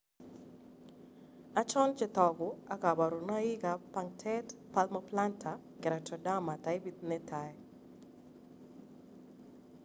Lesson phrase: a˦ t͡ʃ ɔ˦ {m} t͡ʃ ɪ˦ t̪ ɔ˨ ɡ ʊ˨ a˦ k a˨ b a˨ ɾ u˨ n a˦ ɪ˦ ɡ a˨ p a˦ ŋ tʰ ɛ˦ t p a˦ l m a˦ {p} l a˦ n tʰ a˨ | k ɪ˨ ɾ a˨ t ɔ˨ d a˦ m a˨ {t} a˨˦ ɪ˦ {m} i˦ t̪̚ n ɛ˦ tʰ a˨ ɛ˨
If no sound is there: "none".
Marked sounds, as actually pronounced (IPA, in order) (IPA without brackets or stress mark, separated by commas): n, p, t, b